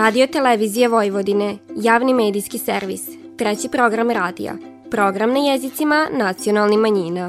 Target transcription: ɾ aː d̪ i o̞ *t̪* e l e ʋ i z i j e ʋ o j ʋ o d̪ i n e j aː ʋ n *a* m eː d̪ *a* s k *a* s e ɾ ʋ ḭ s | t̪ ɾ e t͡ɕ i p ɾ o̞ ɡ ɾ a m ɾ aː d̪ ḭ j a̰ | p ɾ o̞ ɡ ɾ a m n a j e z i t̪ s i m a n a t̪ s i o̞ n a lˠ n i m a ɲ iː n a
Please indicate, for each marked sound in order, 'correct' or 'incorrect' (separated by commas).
correct, incorrect, incorrect, incorrect